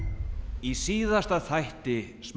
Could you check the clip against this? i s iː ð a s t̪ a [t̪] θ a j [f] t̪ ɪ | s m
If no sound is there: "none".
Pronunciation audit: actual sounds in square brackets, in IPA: none, h

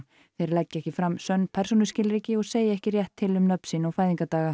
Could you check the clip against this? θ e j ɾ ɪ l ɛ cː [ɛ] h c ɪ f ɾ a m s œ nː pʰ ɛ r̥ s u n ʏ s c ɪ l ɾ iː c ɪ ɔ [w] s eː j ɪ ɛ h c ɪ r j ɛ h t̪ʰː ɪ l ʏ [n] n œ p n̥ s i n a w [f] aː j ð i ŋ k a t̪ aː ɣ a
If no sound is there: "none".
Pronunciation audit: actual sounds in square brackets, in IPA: ɛ, ɣ, m, f

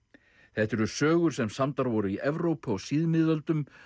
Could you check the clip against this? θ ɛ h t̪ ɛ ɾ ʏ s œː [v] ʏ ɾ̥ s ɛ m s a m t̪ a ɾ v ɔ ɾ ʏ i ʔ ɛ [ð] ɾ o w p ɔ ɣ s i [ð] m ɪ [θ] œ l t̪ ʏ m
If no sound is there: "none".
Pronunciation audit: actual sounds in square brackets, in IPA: ɣ, v, ð, ð

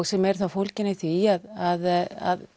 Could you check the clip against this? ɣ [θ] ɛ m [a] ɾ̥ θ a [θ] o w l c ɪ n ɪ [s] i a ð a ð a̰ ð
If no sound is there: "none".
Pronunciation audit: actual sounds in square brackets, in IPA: s, ɛ, f, θ

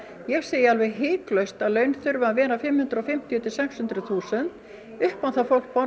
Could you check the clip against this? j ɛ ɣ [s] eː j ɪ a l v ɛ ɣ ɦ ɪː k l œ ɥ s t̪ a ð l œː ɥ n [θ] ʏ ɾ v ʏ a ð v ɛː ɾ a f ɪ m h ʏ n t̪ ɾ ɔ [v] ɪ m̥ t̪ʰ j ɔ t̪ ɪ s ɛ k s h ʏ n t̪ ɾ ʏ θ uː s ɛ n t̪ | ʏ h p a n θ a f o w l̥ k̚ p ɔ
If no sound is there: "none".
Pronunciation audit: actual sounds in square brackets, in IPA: s, θ, f

